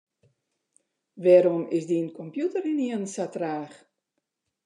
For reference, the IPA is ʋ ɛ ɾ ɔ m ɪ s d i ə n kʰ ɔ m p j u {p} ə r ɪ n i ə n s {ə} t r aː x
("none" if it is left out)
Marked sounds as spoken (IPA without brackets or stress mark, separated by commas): t, a